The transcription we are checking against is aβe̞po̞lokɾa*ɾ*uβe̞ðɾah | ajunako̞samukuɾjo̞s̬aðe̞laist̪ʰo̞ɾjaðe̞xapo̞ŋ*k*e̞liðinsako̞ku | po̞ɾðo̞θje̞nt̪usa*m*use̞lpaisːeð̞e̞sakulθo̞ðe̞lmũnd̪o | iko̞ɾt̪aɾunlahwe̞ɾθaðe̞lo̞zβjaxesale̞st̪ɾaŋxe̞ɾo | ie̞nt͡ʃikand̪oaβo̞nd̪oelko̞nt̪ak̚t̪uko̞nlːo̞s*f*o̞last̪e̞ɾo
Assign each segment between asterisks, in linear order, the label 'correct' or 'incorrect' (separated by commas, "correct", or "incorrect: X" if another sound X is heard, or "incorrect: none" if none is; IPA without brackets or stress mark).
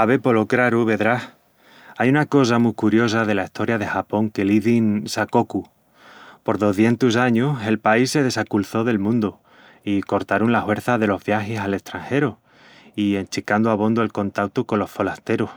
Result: correct, correct, incorrect: ɲ, correct